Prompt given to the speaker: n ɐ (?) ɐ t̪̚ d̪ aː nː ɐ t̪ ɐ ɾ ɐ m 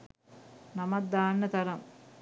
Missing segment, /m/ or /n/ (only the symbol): m